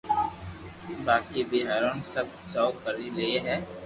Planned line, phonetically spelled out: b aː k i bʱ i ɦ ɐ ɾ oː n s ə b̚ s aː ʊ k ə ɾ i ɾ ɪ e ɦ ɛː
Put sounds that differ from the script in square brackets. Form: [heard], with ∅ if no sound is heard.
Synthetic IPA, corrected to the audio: b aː k i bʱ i ɦ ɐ ɾ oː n s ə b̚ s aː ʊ k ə ɾ i [l] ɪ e ɦ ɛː